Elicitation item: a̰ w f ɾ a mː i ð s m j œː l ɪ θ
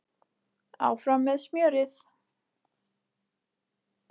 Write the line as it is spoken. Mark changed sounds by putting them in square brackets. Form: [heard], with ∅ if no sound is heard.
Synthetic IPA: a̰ w f ɾ a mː [ɛ] ð s m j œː [ɾ] ɪ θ